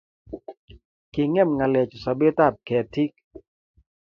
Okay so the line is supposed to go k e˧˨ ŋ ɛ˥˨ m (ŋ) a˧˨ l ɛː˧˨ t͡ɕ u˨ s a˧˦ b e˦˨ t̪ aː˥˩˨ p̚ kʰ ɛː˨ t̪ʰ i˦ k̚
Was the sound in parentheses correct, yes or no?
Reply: yes